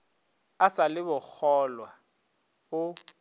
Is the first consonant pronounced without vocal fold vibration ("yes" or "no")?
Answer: yes